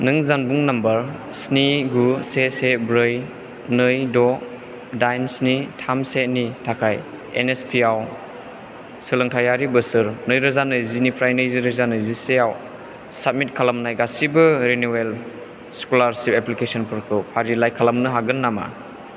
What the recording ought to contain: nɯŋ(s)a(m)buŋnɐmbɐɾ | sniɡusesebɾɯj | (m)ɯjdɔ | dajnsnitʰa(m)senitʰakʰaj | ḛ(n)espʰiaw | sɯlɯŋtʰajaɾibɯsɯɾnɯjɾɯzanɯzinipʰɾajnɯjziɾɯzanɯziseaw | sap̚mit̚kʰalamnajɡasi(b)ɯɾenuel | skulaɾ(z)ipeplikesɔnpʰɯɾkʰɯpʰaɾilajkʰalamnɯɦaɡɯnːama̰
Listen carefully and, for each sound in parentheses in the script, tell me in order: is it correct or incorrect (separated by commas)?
incorrect, incorrect, incorrect, correct, correct, correct, incorrect